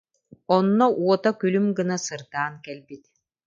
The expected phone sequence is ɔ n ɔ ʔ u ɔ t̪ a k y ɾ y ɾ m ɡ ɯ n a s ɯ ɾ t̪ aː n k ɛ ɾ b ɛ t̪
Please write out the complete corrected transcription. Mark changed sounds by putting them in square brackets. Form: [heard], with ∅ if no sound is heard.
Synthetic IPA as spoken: ɔ [nː] ɔ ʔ u ɔ t̪ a k y [l] y [∅] m ɡ ɯ n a s ɯ ɾ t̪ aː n k ɛ [l] b [i] t̪